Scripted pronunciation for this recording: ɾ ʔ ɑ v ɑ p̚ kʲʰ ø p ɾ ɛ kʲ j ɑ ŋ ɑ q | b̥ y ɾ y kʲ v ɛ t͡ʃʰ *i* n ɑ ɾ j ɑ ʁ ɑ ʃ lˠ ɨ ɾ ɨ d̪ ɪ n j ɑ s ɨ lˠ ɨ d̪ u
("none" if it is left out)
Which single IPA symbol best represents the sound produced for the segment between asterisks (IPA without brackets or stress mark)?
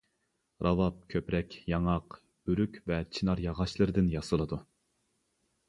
i